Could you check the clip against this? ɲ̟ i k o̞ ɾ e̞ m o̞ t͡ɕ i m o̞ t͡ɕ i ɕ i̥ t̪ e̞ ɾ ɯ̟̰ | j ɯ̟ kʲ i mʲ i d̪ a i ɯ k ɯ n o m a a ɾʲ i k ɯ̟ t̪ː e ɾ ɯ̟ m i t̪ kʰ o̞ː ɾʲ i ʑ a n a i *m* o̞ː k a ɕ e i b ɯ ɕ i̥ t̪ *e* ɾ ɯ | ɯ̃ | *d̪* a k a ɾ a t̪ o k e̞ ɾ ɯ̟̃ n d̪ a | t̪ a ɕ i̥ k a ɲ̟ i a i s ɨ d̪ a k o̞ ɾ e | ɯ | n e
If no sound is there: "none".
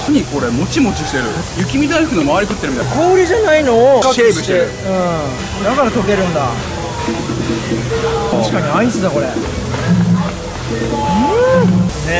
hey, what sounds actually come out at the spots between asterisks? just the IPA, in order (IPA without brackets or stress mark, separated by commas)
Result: n, e, d̪